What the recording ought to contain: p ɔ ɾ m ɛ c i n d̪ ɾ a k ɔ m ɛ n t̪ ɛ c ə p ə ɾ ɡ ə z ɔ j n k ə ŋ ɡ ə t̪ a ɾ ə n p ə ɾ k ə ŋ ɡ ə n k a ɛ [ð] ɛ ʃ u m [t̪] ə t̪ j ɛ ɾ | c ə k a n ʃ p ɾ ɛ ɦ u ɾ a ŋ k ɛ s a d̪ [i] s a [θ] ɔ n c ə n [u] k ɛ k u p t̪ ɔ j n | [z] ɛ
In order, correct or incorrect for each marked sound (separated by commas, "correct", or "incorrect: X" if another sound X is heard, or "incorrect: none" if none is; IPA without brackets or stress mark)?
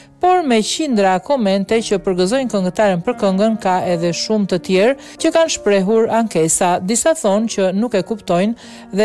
correct, correct, correct, correct, correct, incorrect: ð